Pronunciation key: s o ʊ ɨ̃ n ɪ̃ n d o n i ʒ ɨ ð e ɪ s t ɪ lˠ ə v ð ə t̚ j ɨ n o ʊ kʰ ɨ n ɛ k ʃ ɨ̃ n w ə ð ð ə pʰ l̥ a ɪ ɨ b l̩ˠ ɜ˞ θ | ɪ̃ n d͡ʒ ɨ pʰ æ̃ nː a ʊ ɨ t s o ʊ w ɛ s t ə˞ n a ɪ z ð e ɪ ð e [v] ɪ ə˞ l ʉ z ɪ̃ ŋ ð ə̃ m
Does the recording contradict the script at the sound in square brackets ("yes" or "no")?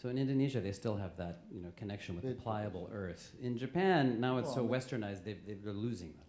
yes